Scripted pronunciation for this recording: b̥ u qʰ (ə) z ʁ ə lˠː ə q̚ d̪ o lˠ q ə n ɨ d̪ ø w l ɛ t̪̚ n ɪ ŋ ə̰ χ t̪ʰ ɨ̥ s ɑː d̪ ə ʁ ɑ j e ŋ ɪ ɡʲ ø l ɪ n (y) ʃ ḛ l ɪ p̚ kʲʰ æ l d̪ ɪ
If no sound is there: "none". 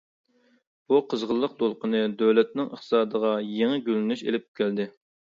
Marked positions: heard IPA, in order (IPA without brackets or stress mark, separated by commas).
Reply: ə, y